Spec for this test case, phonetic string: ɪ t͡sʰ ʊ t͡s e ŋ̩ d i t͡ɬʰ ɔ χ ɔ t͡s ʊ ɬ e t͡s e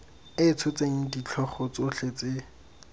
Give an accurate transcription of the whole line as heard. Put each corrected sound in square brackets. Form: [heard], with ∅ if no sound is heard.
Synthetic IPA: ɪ t͡sʰ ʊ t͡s e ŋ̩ d i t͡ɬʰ ɔ χ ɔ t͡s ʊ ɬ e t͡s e